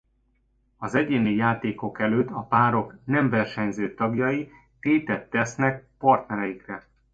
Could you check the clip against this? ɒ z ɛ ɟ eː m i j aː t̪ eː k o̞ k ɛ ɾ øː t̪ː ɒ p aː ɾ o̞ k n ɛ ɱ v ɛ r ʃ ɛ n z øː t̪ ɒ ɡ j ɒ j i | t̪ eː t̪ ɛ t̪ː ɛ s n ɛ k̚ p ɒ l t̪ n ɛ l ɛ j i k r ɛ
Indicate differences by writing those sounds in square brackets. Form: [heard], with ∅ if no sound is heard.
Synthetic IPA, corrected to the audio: ɒ z ɛ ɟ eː [n] i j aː t̪ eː k o̞ k ɛ [l] øː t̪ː ɒ p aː ɾ o̞ k n ɛ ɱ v ɛ r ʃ ɛ [ɲ] z øː t̪ ɒ ɡ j ɒ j i | t̪ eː t̪ ɛ t̪ː ɛ s n ɛ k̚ p ɒ [r] t̪ n ɛ [ɾ] ɛ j i k r ɛ